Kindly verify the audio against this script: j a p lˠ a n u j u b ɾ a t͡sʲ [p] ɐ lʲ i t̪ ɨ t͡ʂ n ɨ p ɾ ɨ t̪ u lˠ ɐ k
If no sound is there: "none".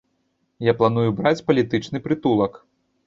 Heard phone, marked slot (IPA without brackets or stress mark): p